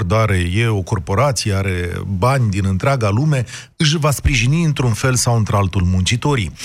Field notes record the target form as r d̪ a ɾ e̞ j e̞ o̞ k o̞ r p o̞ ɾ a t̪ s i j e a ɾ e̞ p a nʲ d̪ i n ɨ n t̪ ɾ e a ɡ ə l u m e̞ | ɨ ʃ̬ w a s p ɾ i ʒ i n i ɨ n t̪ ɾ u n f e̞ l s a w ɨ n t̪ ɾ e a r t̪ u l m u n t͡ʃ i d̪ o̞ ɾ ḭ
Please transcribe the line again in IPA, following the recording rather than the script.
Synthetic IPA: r d̪ a ɾ e̞ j e̞ o̞ k o̞ r p o̞ ɾ a t̪ s i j e a ɾ e̞ b a nʲ d̪ i n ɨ n t̪ ɾ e a ɡ a l u m e̞ | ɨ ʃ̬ v a s p ɾ i ʒ i n i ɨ n t̪ ɾ u n f e̞ l s a w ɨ n t̪ ɾ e a l t̪ u l m u n t͡ʃ i t̪ o̞ ɾ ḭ